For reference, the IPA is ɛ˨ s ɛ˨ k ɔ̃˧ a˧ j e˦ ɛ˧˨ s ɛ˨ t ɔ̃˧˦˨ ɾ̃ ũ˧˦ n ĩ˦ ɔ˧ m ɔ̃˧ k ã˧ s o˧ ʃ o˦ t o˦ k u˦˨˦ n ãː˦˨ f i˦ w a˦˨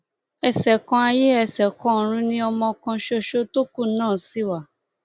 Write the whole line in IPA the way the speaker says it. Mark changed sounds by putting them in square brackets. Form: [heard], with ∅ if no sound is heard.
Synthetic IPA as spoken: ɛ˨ s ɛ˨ k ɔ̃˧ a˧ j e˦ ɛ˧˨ s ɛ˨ [k] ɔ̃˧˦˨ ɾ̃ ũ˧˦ n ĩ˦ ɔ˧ m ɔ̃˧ k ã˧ [ʃ] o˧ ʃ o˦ t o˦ k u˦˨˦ n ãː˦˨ [s] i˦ w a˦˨